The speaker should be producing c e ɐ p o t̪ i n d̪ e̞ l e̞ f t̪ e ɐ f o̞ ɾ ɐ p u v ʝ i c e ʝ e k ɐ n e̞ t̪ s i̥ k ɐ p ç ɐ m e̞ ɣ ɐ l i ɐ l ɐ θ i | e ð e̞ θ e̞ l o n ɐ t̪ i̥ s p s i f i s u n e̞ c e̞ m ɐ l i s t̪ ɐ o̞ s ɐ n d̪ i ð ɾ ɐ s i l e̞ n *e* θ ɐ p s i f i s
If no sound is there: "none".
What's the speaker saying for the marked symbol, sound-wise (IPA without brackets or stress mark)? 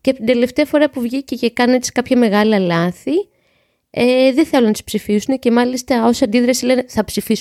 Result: e